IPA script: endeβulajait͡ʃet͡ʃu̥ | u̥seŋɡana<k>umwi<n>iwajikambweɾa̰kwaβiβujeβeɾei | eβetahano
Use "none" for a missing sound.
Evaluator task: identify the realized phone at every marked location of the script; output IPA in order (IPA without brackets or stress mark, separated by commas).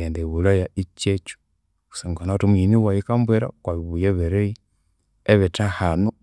t, n